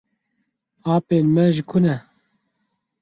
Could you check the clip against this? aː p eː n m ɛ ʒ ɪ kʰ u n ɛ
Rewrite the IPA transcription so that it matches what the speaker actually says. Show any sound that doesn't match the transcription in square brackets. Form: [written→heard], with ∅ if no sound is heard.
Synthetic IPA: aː p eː n m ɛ ʒ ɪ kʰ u n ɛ